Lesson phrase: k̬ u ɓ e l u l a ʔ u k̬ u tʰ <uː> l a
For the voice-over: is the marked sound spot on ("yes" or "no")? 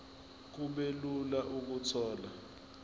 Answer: no